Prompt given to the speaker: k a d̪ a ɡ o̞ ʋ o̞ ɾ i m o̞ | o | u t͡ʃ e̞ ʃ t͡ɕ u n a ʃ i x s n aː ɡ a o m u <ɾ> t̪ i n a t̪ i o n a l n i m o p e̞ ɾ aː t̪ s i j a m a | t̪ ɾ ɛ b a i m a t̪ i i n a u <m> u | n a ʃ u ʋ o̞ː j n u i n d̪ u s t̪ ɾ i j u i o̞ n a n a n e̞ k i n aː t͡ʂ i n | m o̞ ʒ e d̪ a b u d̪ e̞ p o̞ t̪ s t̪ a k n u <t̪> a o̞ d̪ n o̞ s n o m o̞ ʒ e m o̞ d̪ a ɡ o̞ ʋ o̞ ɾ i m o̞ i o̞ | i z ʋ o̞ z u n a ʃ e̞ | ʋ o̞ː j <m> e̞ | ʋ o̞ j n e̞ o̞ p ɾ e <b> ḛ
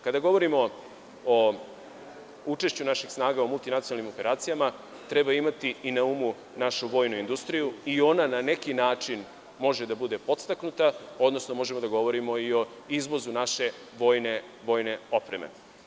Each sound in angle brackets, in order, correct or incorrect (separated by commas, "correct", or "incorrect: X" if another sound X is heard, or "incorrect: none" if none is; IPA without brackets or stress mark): incorrect: l, correct, correct, incorrect: n, incorrect: m